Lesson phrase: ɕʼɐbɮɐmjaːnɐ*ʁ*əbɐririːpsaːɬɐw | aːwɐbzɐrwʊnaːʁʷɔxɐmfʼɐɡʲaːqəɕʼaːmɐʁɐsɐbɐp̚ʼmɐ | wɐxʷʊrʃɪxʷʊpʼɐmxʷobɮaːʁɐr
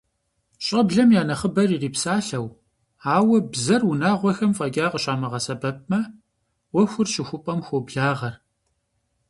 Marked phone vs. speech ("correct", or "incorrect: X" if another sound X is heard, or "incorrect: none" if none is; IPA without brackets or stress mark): incorrect: χ